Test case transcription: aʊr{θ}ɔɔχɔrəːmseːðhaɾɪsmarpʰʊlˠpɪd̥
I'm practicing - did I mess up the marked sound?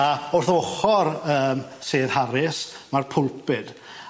no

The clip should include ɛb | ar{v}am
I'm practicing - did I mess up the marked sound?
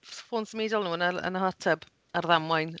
yes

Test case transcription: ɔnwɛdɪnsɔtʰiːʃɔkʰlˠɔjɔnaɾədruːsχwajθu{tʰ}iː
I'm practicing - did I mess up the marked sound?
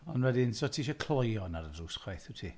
no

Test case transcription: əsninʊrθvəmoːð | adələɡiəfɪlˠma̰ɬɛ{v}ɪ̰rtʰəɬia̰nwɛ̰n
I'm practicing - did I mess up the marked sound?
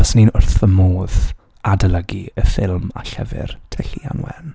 no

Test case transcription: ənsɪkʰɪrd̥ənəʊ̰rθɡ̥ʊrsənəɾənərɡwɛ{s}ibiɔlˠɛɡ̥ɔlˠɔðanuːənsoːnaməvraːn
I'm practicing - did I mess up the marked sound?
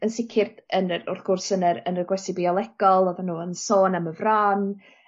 no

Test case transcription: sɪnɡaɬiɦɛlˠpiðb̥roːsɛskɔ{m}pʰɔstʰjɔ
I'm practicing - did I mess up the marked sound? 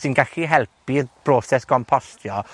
no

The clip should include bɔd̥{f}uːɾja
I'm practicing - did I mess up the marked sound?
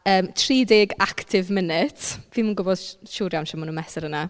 yes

